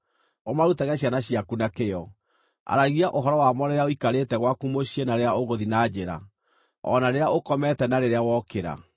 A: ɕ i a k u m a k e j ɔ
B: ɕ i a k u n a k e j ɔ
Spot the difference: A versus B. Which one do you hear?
B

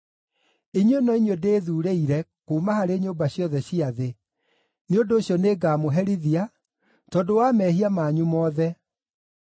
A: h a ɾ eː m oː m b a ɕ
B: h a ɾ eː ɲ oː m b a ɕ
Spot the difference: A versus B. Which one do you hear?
B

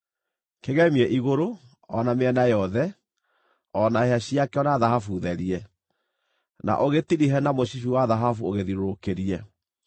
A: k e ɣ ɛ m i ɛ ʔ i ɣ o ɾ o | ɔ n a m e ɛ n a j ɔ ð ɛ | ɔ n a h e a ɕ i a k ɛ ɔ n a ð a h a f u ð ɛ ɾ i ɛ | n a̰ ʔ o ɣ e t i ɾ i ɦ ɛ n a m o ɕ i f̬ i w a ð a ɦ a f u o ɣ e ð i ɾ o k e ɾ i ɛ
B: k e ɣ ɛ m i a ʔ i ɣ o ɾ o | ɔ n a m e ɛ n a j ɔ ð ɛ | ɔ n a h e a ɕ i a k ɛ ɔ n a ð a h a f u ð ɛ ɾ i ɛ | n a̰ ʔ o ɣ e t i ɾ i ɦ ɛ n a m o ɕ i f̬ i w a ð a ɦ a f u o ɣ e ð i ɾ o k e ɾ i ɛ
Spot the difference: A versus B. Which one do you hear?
A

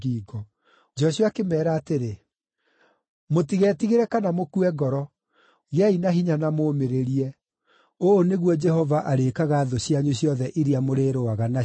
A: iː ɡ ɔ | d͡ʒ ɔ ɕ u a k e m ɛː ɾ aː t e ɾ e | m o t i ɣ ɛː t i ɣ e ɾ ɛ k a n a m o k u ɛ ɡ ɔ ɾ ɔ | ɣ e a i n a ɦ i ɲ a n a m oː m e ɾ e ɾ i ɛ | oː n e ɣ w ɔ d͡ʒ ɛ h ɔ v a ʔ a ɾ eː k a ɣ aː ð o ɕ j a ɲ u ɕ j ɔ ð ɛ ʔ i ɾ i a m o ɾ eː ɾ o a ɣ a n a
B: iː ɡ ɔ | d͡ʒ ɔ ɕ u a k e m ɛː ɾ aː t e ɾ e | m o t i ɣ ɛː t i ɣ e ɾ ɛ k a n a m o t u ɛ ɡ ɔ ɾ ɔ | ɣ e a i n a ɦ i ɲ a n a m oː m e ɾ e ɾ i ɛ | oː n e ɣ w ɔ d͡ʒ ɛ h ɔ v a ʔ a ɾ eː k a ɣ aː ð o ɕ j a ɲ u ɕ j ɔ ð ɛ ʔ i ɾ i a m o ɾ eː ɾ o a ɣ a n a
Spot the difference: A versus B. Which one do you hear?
A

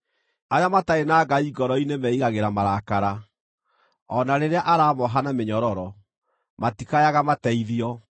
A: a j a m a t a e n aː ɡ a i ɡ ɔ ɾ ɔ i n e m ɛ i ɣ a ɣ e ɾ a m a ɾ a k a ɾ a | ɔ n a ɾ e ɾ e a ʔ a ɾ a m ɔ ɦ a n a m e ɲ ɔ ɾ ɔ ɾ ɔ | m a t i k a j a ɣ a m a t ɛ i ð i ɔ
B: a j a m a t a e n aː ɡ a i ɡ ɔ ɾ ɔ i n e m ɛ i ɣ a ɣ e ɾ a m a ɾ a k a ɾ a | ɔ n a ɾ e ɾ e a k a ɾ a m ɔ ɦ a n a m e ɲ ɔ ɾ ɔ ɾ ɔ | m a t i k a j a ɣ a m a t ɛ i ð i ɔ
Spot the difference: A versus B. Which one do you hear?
A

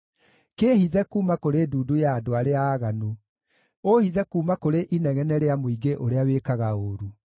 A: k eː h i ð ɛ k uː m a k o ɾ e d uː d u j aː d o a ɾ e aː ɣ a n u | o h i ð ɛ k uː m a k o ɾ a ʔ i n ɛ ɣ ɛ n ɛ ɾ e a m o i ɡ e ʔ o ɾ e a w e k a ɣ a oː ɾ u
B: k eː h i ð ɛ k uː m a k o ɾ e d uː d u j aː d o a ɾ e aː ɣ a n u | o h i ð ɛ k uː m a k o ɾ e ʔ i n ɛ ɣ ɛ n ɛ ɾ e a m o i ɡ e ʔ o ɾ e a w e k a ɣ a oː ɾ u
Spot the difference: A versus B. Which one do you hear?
B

